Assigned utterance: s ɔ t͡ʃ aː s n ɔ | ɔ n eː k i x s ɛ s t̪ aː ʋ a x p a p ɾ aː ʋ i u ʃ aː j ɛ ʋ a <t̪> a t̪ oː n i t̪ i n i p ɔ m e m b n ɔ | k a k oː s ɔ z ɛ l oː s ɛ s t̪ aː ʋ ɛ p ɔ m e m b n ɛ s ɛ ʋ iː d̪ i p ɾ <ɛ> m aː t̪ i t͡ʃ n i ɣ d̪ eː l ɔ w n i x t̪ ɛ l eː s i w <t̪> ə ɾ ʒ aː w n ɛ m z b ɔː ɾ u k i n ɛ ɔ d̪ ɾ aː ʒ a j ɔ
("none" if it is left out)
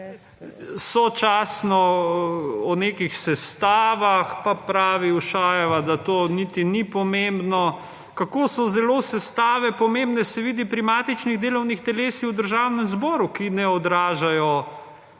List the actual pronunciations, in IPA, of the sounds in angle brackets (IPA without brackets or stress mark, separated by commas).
d̪, i, d̪